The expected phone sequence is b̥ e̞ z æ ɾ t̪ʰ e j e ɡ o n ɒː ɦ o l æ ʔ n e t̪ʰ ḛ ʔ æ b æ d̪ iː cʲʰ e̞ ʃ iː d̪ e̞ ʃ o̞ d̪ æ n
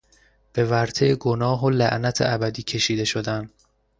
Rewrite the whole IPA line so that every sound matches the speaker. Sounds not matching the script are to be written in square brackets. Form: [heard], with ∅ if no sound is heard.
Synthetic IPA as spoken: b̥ e̞ [v] æ ɾ t̪ʰ e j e ɡ o n ɒː ɦ o l æ ʔ n [æ] t̪ʰ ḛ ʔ æ b æ d̪ iː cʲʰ e̞ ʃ iː d̪ e̞ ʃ o̞ d̪ æ n